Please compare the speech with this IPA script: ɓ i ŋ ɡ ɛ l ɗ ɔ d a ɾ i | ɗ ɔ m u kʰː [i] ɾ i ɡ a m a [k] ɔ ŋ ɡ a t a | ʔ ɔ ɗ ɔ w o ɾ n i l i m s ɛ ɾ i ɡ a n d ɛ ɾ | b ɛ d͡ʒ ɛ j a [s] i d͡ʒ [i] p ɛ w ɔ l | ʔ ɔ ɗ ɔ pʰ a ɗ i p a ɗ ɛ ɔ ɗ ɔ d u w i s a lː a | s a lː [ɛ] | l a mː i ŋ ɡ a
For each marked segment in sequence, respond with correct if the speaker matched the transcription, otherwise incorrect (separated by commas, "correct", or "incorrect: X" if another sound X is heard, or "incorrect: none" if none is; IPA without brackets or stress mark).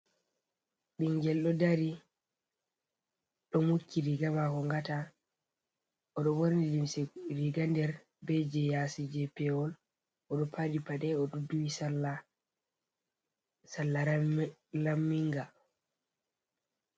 correct, correct, correct, incorrect: ɛ, incorrect: a